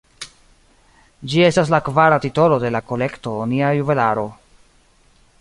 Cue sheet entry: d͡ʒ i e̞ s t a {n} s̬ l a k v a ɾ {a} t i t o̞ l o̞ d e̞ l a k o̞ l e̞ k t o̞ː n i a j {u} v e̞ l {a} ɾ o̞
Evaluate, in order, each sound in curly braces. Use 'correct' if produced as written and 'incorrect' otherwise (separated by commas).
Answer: incorrect, correct, correct, correct